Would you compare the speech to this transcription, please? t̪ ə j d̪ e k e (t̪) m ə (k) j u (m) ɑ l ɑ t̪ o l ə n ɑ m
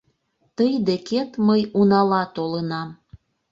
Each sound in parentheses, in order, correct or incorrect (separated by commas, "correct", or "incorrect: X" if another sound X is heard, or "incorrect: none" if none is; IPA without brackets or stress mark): correct, incorrect: none, incorrect: n